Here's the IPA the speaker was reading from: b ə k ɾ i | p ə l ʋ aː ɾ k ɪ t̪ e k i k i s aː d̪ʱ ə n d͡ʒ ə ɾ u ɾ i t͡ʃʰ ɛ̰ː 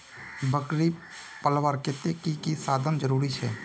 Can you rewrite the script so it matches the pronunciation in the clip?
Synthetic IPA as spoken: b ə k ɾ i | p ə l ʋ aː ɾ k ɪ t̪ e k i k i s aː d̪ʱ ə n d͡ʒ ə ɾ uː ɾ i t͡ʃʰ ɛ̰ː